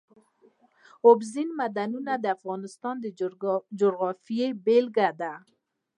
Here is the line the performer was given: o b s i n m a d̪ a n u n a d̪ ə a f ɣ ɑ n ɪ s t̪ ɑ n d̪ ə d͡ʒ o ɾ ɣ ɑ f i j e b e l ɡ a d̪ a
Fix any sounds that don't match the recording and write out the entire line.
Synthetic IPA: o b z i n m a d̪ a n u n a d̪ ə a f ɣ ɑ n ɪ s t̪ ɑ n d̪ ə d͡ʒ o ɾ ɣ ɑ f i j e b e l ɡ a d̪ a